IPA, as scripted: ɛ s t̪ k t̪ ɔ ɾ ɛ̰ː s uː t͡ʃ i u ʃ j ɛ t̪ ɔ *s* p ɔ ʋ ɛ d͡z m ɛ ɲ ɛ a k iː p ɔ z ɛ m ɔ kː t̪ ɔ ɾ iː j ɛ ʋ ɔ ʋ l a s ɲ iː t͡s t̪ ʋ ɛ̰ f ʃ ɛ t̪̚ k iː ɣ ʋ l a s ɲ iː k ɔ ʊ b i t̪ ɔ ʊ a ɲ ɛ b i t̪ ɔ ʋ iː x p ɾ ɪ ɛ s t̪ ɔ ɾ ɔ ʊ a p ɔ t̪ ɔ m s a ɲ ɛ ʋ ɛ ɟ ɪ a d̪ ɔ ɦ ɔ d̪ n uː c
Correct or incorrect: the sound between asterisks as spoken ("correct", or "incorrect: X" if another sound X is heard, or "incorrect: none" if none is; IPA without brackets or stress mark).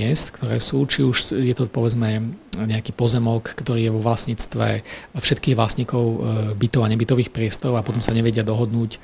incorrect: none